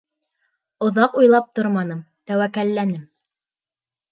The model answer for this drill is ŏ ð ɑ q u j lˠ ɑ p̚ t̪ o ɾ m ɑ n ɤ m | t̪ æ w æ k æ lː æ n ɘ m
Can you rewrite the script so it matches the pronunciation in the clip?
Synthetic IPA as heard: ŏ ð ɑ q u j lˠ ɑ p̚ t̪ o ɾ m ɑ n ɤ m | t̪ æ w æ k æ lː æ n ɘ m